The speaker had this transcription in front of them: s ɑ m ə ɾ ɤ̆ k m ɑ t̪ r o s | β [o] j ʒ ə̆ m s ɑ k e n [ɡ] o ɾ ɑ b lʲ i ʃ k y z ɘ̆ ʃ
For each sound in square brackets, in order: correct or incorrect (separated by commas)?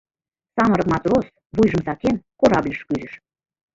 incorrect, incorrect